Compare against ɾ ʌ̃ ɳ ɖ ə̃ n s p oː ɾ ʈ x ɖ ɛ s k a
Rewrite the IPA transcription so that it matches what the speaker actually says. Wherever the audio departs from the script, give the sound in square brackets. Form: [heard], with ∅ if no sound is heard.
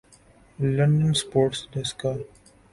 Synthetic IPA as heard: [l] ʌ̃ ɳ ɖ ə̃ n s p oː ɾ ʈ [s] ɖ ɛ s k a